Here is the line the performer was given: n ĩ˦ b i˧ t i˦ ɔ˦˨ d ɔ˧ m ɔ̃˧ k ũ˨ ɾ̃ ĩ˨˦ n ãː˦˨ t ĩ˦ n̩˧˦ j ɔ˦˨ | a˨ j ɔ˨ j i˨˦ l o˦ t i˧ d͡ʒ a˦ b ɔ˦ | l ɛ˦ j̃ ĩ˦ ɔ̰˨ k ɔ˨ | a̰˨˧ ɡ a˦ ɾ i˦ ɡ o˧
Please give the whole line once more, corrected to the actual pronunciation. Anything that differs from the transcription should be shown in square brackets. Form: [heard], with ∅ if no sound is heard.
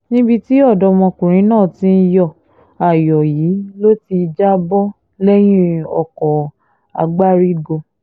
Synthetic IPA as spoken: n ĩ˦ b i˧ t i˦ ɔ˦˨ d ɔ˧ m ɔ̃˧ k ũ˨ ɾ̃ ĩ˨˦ n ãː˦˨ t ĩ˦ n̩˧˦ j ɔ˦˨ | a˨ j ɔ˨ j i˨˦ l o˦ t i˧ d͡ʒ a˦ b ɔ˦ | l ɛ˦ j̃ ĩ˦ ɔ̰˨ k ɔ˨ | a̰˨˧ [ɡ͡b] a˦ ɾ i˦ ɡ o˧

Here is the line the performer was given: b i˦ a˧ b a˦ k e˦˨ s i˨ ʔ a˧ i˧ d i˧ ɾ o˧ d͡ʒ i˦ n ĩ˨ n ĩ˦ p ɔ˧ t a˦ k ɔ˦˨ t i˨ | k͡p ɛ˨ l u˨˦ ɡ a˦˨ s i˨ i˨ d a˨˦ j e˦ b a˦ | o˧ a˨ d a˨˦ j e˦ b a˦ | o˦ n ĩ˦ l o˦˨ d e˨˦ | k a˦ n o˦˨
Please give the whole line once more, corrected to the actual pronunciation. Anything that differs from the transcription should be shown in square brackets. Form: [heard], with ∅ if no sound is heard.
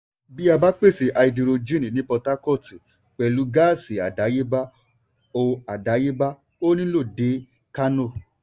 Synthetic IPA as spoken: b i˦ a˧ b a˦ [k͡p] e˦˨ s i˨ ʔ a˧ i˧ d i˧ ɾ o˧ d͡ʒ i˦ n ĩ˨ n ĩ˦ p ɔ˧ t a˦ k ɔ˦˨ t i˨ | k͡p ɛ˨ l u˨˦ ɡ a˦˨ s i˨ [a˨] d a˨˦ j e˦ b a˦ | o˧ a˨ d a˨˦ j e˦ b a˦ | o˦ n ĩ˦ l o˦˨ d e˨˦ | k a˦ n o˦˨

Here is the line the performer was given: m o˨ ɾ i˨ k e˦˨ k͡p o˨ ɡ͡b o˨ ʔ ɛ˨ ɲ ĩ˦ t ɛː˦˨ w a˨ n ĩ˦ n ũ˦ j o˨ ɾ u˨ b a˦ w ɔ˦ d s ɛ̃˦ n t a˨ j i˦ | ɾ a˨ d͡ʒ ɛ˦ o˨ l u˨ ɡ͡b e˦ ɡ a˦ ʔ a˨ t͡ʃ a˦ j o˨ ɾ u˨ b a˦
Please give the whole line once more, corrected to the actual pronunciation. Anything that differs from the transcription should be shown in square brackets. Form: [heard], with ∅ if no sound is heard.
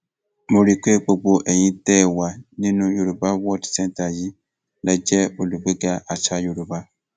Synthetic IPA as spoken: m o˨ ɾ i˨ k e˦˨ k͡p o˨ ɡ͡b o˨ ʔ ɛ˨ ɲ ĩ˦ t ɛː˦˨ w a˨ n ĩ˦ n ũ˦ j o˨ ɾ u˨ b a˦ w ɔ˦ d s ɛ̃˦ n t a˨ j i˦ | [l] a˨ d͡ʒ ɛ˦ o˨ l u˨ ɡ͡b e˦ ɡ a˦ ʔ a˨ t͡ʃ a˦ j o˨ ɾ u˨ b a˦

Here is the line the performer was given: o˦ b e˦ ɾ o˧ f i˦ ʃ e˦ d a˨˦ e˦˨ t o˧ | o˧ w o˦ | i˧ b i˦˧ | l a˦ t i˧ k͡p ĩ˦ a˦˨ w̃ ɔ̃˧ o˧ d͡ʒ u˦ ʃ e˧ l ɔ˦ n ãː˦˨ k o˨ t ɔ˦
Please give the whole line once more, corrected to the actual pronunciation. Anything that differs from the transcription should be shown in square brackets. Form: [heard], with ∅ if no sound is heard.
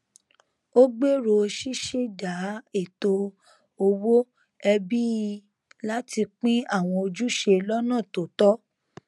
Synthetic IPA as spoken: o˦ [ɡ͡b] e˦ ɾ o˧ [ʃ] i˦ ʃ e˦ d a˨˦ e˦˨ t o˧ | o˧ w o˦ | [ɛ˧] b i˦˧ | l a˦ t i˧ k͡p ĩ˦ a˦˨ w̃ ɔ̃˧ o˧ d͡ʒ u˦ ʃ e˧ l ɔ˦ n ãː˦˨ [t] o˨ t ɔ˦

